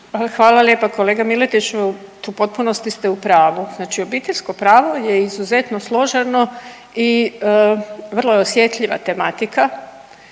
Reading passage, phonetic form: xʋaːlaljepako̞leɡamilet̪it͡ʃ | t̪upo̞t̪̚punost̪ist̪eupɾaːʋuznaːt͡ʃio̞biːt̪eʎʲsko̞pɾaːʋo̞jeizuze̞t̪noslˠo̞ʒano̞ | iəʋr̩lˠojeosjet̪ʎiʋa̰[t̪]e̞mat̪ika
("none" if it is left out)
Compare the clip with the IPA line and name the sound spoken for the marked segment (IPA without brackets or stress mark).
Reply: t̪